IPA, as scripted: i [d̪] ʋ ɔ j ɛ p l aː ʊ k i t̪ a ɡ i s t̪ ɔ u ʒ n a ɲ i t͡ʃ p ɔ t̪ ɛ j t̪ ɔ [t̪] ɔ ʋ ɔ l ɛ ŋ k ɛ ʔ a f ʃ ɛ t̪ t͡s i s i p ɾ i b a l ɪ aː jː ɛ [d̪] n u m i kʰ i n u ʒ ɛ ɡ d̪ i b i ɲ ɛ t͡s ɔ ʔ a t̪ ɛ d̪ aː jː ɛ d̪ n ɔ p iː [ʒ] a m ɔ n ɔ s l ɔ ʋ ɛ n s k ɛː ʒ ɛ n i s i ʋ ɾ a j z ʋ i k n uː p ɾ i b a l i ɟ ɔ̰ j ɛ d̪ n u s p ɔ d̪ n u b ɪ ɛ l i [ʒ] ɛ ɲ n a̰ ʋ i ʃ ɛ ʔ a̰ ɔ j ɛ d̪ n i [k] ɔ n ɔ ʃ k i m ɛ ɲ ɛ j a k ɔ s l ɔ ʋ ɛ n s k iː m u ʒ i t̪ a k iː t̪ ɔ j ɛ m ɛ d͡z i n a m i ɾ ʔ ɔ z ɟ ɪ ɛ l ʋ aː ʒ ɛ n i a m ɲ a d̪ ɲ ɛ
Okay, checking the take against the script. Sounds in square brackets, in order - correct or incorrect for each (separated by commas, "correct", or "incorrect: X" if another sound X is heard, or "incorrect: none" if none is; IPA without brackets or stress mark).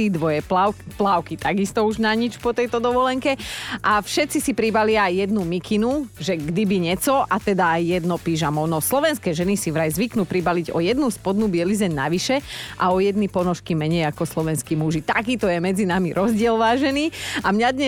correct, incorrect: d̪, correct, correct, incorrect: z, incorrect: p